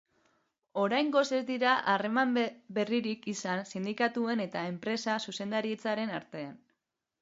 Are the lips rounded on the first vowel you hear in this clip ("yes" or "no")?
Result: yes